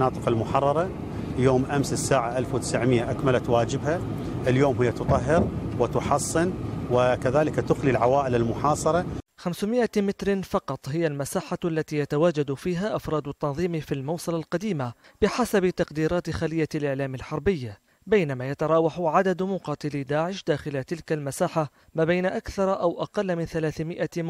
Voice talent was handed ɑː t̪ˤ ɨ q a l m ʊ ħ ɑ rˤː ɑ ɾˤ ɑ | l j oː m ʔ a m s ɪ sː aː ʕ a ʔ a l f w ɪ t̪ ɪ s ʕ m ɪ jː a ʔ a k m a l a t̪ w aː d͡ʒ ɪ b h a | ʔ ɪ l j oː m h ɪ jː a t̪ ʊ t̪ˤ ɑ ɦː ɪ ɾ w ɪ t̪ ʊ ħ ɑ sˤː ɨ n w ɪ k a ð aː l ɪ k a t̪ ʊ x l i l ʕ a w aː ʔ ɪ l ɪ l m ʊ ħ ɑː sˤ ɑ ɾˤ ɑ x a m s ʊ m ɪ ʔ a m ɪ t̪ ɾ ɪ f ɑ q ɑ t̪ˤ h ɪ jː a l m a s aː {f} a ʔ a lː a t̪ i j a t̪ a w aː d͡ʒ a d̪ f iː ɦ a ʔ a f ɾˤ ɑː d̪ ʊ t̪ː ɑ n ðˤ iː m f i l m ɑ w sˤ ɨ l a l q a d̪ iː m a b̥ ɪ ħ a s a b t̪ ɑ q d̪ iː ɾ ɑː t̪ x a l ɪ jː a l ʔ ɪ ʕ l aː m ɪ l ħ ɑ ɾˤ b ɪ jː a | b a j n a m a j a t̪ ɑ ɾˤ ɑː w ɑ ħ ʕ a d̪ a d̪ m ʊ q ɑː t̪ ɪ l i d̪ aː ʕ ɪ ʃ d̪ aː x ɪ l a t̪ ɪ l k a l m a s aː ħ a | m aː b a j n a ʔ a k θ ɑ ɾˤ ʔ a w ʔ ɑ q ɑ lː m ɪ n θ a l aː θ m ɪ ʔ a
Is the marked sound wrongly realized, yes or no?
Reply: yes